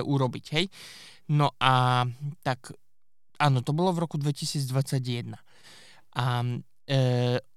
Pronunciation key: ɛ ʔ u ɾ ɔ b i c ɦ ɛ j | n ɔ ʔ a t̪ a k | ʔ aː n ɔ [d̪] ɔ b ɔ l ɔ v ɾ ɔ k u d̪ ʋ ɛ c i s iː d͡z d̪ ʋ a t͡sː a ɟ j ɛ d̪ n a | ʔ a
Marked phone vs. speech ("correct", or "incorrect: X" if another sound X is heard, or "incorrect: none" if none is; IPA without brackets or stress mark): incorrect: t̪